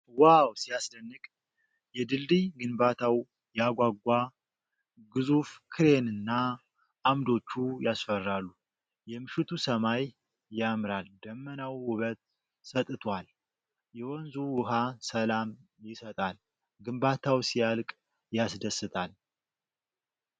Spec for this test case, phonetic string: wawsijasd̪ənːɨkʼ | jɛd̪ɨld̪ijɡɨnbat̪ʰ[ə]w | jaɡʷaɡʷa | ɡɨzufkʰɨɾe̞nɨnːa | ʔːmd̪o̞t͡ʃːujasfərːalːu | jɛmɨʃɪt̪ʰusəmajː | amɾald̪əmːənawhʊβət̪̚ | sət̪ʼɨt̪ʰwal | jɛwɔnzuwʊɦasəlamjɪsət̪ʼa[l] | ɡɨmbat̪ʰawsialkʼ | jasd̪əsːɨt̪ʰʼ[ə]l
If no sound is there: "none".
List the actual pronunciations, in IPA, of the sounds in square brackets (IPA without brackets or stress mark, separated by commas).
a, l, a